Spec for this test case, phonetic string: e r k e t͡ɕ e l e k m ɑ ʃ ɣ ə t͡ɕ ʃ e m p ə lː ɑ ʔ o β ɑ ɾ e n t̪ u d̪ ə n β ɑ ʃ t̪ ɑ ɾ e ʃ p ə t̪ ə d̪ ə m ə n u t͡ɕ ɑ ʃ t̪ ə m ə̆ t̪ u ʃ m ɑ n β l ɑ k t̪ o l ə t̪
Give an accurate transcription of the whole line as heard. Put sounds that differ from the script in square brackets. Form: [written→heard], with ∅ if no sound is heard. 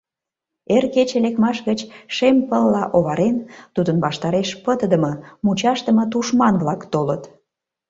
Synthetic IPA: e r k e t͡ɕ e l e k m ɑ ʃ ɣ ə t͡ɕ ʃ e m p ə lː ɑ ʔ o β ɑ ɾ e n t̪ u d̪ ə n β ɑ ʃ t̪ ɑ ɾ e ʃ p ə t̪ ə d̪ ə m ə [n→m] u t͡ɕ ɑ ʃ t̪ ə m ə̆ t̪ u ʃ m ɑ n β l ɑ k t̪ o l ə t̪